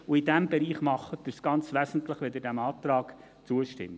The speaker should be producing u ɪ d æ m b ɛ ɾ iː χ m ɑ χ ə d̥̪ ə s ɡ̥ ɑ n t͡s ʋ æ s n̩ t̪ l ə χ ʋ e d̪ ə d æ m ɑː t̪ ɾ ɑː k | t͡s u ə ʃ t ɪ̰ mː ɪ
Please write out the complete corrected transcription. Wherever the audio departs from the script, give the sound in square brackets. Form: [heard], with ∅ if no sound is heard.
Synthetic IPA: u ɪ d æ m b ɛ ɾ iː χ m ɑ χ ə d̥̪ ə s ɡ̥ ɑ n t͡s ʋ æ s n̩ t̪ l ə χ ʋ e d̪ ə d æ m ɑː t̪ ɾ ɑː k | t͡s u ə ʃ t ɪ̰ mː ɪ